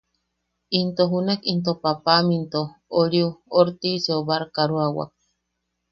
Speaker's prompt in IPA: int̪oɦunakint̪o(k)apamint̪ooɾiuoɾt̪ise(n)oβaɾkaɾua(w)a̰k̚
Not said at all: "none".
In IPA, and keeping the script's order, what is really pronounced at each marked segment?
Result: p, none, w

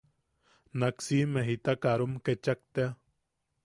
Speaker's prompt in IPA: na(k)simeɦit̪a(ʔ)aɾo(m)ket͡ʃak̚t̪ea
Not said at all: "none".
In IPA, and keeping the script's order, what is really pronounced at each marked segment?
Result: k, k, m

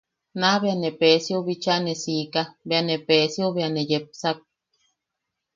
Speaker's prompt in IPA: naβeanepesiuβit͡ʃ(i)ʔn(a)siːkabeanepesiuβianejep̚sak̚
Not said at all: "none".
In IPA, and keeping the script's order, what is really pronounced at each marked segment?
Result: a, e

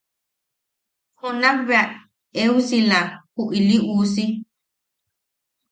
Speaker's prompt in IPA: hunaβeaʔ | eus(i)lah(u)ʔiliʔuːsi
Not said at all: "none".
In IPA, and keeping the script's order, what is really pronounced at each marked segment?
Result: i, u

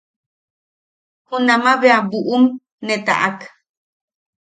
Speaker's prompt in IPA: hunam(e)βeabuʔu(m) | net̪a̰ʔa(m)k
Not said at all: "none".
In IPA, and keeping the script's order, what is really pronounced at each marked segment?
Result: a, m, none

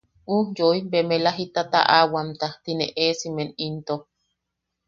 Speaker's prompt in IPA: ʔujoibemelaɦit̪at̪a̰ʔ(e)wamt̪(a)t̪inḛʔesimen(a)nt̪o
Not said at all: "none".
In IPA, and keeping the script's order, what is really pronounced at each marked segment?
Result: a, a, i

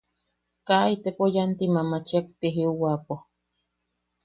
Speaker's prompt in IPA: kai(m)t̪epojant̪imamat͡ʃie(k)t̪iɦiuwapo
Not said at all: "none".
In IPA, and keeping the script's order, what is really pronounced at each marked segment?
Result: none, k

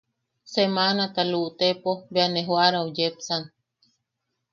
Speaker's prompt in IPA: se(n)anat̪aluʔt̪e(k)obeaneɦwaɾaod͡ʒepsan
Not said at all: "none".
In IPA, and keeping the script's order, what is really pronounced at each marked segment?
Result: m, p

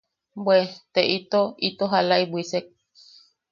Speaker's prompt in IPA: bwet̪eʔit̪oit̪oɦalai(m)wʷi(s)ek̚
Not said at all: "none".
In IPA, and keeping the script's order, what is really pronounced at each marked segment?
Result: b, s

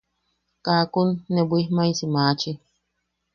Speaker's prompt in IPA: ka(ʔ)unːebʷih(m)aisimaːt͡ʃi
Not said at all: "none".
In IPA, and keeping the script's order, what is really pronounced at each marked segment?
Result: k, m

